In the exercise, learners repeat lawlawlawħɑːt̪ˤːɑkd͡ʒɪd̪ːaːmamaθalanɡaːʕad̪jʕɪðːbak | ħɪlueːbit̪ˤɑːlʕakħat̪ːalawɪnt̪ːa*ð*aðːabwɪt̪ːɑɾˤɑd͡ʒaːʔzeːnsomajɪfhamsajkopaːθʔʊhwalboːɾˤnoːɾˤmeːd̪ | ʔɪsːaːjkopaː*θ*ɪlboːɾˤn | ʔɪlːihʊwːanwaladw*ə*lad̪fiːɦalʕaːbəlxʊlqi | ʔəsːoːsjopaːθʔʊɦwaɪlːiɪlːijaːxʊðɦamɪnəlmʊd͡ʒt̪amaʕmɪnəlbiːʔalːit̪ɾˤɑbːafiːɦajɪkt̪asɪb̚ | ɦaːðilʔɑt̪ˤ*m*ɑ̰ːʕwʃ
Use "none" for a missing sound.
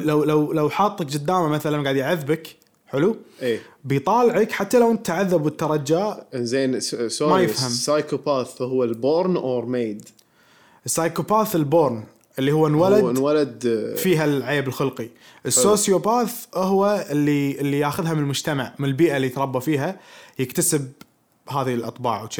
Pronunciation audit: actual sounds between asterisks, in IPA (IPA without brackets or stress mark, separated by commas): ʕ, θ, a, b